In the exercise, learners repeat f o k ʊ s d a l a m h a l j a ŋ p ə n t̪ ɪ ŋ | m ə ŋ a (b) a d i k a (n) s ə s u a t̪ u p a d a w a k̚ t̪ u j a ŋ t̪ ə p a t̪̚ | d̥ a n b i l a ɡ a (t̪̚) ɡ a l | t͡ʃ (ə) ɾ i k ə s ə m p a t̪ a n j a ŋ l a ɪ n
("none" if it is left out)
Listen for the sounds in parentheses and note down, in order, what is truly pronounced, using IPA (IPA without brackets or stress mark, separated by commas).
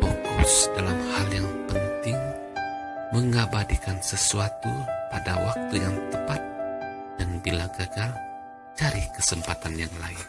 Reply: b, n, none, a